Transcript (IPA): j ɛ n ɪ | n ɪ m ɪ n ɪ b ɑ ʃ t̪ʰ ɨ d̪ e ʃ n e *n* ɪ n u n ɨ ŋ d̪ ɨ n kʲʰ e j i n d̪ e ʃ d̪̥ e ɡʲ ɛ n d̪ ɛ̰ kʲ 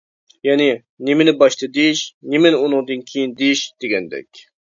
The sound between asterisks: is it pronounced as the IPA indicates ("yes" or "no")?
no